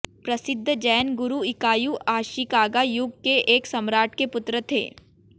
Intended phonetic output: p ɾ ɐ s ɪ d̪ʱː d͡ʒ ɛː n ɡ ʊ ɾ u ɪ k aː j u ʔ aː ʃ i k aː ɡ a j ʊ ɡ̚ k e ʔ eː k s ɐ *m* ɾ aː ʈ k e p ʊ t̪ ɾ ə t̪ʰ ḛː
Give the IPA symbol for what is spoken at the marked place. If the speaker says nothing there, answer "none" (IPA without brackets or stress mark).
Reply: m